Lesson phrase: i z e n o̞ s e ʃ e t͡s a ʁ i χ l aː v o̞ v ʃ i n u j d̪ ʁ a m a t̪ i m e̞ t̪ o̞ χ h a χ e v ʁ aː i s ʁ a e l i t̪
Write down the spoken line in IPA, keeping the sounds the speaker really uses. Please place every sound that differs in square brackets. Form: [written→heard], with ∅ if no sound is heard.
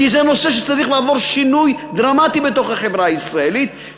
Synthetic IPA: i z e n o̞ s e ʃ e t͡s a ʁ i χ l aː v o̞ [v→ʁ] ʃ i n u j d̪ ʁ a m a t̪ i [m→b] e̞ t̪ o̞ χ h a χ e v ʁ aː i s ʁ a e l i t̪